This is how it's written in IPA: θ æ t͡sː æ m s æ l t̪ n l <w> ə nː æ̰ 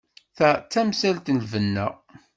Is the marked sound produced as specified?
no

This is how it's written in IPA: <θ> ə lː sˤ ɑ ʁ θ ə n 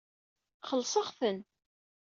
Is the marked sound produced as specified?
no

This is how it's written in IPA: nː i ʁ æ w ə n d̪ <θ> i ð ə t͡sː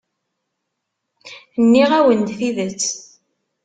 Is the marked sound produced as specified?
yes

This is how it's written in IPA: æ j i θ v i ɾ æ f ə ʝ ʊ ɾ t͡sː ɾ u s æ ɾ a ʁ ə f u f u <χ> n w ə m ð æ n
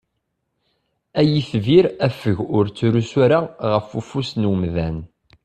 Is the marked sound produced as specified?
no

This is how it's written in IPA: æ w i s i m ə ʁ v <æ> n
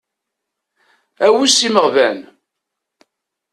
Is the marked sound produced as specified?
yes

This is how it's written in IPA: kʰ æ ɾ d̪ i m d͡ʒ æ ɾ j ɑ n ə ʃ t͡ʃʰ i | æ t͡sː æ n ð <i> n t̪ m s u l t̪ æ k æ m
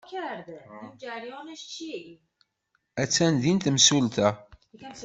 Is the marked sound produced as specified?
yes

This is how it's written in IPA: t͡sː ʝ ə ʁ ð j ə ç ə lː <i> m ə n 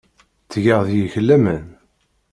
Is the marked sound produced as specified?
no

